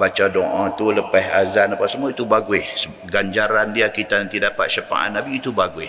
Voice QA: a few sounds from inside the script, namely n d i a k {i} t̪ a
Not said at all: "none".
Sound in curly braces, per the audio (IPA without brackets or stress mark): i